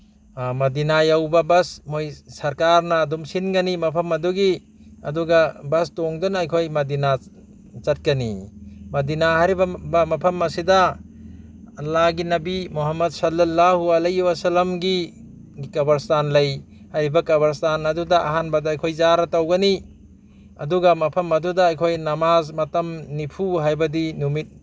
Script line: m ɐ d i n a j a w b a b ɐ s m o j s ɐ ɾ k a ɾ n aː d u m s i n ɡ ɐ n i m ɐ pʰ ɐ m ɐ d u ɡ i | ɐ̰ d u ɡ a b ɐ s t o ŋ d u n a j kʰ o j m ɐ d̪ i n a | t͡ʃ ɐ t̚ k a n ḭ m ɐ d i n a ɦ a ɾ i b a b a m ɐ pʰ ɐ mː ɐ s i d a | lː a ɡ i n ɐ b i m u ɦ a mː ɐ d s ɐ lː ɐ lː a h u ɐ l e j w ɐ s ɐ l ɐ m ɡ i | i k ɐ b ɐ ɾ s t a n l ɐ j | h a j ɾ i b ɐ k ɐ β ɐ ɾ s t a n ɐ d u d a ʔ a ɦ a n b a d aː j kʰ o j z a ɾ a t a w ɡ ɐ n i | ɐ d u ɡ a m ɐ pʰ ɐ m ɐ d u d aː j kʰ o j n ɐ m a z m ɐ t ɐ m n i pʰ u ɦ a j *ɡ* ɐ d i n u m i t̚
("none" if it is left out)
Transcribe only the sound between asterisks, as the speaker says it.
b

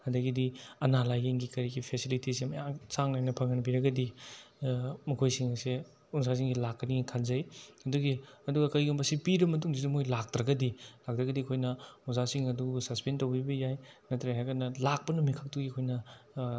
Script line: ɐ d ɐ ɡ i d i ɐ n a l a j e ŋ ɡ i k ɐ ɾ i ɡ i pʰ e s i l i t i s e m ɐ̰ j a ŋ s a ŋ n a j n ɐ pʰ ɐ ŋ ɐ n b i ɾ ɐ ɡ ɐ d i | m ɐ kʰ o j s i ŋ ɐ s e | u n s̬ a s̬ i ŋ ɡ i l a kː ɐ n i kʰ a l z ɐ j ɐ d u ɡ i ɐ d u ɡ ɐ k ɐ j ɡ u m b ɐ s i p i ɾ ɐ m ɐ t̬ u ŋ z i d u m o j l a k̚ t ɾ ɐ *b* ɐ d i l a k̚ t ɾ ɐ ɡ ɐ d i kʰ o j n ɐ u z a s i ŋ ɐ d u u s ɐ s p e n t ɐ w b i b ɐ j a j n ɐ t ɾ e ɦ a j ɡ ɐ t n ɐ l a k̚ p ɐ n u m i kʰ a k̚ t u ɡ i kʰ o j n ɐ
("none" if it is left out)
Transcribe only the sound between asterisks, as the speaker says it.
ɡ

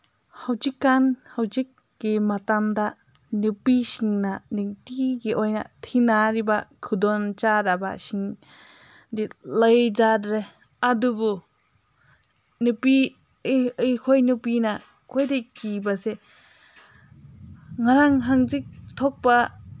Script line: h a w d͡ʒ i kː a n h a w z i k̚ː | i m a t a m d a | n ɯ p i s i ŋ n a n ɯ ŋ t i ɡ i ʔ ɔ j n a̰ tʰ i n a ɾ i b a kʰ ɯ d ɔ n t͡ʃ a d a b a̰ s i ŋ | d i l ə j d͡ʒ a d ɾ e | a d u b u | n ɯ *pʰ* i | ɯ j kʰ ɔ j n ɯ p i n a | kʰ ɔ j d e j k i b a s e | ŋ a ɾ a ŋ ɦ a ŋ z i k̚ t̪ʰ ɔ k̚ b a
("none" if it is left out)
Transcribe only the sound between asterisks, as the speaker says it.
p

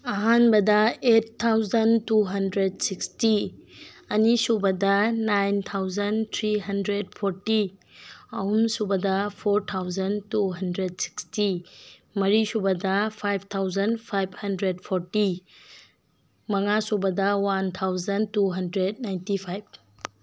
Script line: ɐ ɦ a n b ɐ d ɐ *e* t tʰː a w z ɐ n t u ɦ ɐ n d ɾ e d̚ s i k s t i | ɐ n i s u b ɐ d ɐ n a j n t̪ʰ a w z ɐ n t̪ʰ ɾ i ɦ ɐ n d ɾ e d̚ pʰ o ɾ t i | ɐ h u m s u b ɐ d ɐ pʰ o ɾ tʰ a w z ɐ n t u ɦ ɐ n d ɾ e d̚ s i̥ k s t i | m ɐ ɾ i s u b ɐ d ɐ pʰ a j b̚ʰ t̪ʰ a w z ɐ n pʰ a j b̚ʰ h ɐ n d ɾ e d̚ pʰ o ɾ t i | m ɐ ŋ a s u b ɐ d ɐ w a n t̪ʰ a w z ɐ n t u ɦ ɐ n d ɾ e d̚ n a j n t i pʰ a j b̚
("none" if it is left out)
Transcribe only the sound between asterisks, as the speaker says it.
e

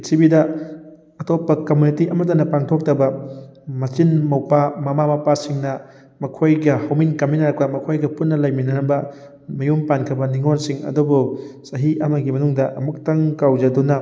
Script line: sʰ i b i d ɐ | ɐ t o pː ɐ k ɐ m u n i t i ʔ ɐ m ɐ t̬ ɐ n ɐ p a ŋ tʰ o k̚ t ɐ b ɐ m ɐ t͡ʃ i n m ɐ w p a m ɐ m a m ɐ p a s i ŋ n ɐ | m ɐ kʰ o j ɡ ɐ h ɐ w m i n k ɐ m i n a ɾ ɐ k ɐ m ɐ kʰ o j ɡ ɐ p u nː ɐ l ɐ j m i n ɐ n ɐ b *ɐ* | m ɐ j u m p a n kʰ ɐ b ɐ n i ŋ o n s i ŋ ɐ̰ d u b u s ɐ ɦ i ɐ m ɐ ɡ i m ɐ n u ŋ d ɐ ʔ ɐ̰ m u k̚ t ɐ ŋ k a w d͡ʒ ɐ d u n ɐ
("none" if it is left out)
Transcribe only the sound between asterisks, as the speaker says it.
ɐ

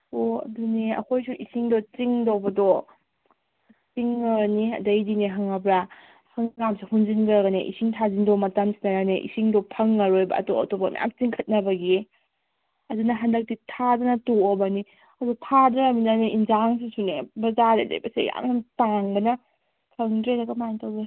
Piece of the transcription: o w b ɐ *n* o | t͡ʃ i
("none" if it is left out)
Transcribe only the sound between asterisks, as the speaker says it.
d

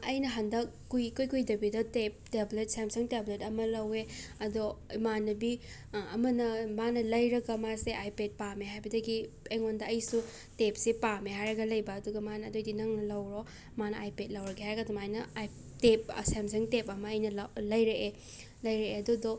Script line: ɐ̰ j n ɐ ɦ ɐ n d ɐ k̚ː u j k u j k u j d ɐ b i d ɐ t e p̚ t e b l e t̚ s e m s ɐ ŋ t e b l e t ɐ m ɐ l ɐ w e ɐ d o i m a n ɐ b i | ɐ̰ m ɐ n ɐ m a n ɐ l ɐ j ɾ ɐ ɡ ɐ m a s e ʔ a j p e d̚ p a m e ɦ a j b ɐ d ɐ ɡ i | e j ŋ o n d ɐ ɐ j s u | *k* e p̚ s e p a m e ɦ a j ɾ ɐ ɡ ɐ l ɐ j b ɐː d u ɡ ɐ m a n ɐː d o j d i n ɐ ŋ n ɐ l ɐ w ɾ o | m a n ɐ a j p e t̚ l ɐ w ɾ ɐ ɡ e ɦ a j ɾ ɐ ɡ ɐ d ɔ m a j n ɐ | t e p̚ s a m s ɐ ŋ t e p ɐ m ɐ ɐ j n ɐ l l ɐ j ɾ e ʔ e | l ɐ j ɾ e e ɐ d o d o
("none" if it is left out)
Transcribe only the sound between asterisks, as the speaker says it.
t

